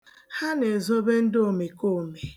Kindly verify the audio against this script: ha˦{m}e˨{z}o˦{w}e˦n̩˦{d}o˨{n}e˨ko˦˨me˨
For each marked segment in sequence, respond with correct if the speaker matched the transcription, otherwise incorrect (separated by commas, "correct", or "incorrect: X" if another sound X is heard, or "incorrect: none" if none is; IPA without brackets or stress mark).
incorrect: n, correct, incorrect: b, correct, incorrect: m